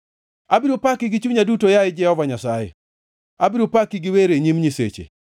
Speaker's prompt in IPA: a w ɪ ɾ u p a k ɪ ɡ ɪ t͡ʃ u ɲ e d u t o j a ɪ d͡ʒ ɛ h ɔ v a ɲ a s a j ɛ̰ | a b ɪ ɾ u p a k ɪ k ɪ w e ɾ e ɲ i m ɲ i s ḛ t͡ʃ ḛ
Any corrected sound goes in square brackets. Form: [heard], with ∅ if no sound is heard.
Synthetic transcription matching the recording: a [b] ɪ ɾ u p a k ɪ ɡ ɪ t͡ʃ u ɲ [a] d u t o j a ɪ d͡ʒ ɛ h ɔ v a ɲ a s a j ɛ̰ | a b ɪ ɾ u p a k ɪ [ɡ] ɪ w e ɾ e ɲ i m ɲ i s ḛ t͡ʃ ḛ